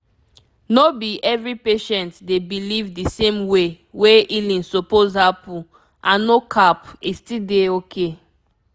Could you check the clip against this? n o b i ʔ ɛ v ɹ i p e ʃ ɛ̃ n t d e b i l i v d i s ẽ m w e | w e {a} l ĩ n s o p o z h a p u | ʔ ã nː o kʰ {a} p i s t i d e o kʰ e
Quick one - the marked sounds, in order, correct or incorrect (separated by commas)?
incorrect, correct